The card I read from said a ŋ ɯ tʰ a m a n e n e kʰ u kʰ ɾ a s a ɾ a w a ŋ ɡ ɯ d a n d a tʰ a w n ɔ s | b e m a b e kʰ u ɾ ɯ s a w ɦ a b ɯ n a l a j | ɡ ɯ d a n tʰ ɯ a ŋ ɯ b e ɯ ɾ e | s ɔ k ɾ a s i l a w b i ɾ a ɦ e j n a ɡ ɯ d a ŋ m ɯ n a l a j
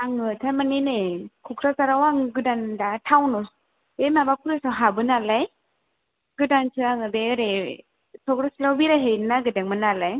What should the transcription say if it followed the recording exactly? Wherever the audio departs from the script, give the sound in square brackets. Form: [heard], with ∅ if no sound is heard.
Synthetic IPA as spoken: a ŋ ɯ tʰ a m a n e n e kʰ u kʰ ɾ a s a ɾ a w a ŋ ɡ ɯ d a n d a tʰ a w n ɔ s | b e m a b [a] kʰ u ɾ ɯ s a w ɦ a b ɯ n a l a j | ɡ ɯ d a n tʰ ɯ a ŋ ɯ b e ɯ ɾ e | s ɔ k ɾ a s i l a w b i ɾ a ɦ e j n a ɡ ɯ d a ŋ m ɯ n a l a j